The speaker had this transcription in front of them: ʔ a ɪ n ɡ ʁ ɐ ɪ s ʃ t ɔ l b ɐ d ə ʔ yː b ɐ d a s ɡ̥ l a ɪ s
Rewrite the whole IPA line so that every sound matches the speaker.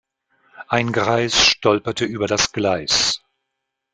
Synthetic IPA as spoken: ʔ a ɪ n ɡ ʁ a ɪ s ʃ t ɔ l p ɐ t ə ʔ yː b ɐ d a s ɡ̥ l a ɪ s